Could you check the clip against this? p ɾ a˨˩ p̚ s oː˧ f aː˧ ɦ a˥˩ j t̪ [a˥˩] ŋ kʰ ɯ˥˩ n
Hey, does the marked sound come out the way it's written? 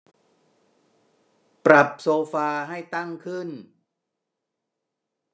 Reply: yes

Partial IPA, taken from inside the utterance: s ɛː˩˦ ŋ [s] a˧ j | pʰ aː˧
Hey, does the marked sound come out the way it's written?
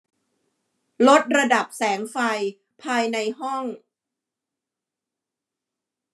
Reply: no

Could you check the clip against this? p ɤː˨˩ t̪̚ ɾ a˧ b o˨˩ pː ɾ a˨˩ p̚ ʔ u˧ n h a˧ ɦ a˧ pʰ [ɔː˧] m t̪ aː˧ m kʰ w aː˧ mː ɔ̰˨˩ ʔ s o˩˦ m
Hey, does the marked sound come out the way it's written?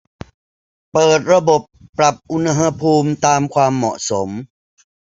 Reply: no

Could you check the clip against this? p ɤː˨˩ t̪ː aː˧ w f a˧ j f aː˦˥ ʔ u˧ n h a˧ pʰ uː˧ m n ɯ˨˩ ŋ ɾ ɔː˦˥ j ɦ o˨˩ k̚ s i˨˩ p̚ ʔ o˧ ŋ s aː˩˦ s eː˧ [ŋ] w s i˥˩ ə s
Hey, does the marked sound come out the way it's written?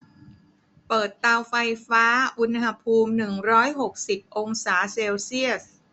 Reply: no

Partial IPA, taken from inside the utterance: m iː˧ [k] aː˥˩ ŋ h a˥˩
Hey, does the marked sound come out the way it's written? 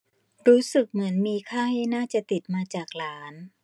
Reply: no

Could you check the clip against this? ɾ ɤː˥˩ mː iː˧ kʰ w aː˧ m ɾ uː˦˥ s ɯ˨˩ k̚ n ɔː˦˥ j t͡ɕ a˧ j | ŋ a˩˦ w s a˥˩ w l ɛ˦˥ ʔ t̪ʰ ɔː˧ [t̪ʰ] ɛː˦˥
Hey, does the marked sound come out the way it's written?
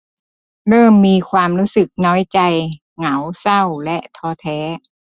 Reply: yes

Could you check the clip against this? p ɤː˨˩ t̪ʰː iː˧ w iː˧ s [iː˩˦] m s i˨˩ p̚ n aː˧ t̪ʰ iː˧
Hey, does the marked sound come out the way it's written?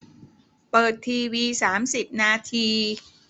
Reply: no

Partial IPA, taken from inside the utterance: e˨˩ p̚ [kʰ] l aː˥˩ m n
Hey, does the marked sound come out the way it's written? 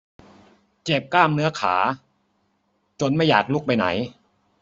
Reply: no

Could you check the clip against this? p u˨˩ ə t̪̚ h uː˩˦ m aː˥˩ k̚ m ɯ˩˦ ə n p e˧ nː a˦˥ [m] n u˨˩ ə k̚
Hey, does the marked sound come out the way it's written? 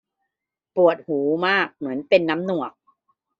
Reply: yes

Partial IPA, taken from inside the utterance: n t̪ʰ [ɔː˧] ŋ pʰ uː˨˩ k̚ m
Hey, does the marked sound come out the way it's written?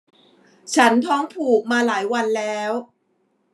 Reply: no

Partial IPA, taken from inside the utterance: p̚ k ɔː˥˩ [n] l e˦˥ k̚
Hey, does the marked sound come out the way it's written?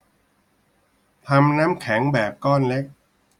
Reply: yes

